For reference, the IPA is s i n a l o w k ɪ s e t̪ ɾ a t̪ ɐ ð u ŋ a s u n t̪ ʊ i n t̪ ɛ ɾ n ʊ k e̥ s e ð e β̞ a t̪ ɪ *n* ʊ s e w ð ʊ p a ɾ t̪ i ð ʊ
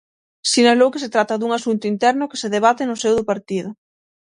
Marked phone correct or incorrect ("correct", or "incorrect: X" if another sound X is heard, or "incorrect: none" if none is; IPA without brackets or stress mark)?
correct